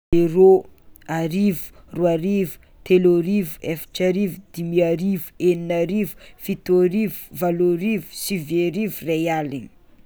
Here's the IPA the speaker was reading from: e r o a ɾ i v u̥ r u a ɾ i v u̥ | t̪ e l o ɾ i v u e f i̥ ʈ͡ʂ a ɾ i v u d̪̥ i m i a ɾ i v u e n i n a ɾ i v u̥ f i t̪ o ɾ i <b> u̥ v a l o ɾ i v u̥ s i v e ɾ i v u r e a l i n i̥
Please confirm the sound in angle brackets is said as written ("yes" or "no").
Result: no